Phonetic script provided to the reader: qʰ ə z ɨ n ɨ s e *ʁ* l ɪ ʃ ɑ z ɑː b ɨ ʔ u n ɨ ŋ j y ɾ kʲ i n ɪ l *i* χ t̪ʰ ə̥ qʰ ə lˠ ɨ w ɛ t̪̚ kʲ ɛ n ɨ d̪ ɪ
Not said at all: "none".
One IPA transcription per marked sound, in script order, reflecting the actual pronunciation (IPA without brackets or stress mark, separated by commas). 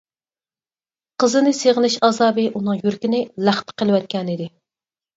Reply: ʁ, æ